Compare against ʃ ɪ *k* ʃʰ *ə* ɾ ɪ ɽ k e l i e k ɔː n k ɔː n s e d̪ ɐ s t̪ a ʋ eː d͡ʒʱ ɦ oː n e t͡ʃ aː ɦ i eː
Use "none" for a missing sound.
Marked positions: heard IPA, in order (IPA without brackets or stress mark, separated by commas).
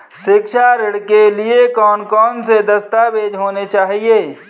k, a